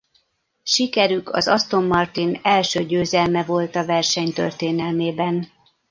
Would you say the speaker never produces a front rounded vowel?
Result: no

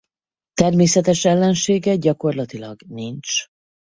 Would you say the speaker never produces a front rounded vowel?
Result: yes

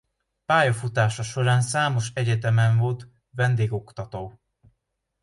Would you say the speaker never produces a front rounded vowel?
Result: yes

